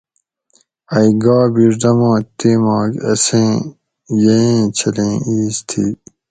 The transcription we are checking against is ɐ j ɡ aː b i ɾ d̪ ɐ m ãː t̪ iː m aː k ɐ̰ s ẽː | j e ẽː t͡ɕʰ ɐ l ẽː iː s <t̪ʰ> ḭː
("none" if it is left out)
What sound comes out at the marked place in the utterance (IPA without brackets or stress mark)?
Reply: t̪ʰ